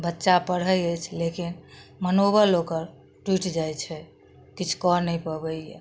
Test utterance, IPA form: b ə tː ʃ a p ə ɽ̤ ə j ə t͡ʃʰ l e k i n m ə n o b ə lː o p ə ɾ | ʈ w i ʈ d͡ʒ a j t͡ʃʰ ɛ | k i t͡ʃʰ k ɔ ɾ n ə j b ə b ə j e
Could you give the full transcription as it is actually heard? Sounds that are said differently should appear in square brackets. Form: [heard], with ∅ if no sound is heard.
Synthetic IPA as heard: b ə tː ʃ a p ə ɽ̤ ə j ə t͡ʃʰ l e k i n m ə n o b ə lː o [k] ə ɾ | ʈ w i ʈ d͡ʒ a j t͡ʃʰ ɛ | k i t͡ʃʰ k ɔ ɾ n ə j [p] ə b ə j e